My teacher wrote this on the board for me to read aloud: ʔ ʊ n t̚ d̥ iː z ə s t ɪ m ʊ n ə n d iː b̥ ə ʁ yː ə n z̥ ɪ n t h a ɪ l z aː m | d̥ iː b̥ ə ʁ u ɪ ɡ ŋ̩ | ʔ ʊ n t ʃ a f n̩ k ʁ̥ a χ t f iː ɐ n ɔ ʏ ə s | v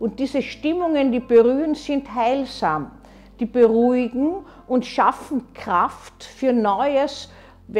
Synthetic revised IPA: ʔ ʊ n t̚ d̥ iː z ə ʃ t ɪ m ʊ ŋ ə n d iː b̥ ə ʁ yː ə n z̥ ɪ n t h a ɪ l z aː m | d̥ iː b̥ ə ʁ u ɪ ɡ ŋ̩ | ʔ ʊ n t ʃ a f n̩ k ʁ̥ a f t f yː ɐ n ɔ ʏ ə s | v